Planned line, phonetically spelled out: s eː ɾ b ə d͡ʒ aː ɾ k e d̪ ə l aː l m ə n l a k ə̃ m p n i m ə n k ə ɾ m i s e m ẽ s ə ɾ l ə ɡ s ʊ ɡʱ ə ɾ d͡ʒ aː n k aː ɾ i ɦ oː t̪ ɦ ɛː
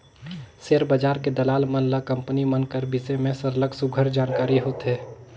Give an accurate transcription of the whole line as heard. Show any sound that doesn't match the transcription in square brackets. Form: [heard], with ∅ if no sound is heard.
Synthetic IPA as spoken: s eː ɾ b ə d͡ʒ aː ɾ k e d̪ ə l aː l m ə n l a k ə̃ m p n i m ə n k ə ɾ [b] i s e m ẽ s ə ɾ l ə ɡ s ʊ ɡʱ ə ɾ d͡ʒ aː n k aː ɾ i ɦ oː t̪ ɦ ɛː

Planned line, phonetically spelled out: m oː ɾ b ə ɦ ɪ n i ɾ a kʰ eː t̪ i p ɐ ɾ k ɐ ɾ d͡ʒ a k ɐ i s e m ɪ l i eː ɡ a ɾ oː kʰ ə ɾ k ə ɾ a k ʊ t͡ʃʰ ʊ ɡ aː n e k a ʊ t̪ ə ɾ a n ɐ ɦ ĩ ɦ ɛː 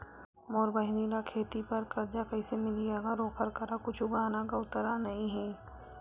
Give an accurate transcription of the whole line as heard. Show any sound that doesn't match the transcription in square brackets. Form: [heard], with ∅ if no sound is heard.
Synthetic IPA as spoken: m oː ɾ b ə ɦ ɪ n i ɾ a kʰ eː t̪ i p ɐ ɾ k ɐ ɾ d͡ʒ a k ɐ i s e m ɪ l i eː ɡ a ɾ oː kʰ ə ɾ k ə ɾ a k ʊ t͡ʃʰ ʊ ɡ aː n [a] k a ʊ t̪ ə ɾ a n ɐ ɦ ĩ ɦ ɛː

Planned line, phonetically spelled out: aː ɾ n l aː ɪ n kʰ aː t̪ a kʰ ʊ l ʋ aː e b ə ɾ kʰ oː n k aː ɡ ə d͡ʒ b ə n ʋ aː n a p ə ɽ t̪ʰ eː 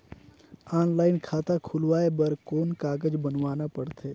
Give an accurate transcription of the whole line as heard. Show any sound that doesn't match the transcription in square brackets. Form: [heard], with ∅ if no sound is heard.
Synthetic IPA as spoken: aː [∅] n l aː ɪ n kʰ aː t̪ a kʰ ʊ l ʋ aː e b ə ɾ [k] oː n k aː ɡ ə d͡ʒ b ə n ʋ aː n a p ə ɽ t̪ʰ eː

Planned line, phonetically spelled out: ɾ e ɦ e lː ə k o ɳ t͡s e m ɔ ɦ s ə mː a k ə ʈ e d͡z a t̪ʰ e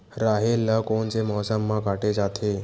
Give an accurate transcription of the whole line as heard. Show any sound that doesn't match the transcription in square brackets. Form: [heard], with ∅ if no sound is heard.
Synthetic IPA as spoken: ɾ [a] ɦ e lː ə k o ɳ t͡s e m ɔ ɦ s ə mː a k [a] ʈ e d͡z a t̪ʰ e

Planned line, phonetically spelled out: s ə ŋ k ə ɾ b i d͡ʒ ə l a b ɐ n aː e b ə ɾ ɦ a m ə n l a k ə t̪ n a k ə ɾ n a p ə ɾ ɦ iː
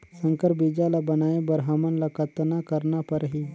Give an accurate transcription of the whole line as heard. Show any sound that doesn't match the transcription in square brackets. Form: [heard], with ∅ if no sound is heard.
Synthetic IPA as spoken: s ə ŋ k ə ɾ b i d͡ʒ [a] l a b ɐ n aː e b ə ɾ ɦ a m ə n l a k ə t̪ n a k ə ɾ n a p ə ɾ ɦ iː

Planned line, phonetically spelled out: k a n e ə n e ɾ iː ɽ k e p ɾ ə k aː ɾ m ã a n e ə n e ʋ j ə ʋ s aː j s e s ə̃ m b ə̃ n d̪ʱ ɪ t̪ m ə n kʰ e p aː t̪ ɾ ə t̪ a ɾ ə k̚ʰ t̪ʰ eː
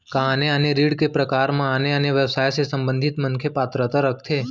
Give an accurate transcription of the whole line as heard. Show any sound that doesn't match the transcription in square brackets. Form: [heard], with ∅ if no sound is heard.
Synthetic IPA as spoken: k a n e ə n e ɾ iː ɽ k e p ɾ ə k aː ɾ m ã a n e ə n e ʋ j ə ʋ s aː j s e s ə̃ m b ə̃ n d̪ʱ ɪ t̪ m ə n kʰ e p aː t̪ ɾ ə t̪ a ɾ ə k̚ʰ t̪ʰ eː

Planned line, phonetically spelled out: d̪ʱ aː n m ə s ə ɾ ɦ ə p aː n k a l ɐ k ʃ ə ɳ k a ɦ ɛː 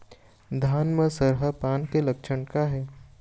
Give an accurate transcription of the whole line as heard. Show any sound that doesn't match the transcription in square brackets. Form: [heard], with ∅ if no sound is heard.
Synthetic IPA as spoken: d̪ʱ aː n m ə s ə ɾ ɦ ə p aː n k [e] l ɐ k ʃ ə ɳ k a ɦ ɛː

